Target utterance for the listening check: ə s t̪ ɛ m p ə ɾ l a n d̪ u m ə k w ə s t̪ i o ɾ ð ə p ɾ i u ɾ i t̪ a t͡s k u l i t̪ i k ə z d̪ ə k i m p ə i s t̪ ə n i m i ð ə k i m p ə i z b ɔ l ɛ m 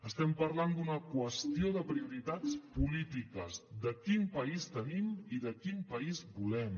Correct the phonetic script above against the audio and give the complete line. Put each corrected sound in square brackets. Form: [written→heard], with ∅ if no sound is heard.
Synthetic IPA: ə s t̪ ɛ m p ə ɾ l a n d̪ u [m→n] ə k w ə s t̪ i o [ɾ→∅] ð ə p ɾ i u ɾ i t̪ a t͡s [k→p] u l i t̪ i k ə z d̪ ə k i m p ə i s t̪ ə n i m i ð ə k i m p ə i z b [ɔ→u] l ɛ m